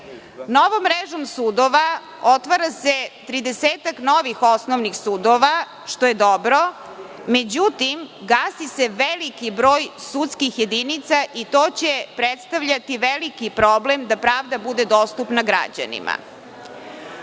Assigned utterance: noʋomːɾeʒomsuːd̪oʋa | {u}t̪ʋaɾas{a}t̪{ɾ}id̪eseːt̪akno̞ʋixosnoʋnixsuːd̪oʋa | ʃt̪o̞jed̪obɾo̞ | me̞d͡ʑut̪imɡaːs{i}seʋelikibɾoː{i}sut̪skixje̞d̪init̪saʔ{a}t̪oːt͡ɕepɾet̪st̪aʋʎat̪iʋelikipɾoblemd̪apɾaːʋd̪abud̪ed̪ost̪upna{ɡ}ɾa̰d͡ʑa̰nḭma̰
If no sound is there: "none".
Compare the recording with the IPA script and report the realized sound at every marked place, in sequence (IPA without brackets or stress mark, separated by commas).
o, e, ɾ, i, j, i, ɡ